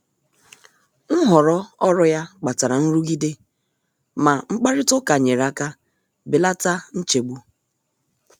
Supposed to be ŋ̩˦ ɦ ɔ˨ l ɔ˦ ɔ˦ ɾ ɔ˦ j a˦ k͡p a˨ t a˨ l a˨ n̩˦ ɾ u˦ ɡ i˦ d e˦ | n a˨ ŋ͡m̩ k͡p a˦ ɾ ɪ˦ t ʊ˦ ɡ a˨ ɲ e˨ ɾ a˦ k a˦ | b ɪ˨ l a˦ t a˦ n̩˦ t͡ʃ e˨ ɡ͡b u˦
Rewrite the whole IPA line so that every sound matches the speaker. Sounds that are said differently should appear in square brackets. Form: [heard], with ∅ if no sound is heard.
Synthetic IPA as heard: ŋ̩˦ ɦ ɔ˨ [ɾ] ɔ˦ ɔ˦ ɾ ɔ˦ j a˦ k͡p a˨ t a˨ [ɾ] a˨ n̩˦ ɾ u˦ ɡ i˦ d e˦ | [m] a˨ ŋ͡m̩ k͡p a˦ ɾ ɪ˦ t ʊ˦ [k] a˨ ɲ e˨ ɾ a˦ k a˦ | b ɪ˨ l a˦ t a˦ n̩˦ t͡ʃ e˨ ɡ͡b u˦